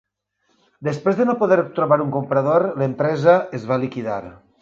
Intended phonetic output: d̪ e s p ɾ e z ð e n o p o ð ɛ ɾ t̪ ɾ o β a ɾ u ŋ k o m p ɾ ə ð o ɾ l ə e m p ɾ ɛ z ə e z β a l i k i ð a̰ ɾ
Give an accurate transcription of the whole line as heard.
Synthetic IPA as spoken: d̪ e s p ɾ e z ð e n o p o ð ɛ ɾ t̪ ɾ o β a ɾ u ŋ k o m p ɾ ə ð o ɾ l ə e m p ɾ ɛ z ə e z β a l i k i ð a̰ ɾ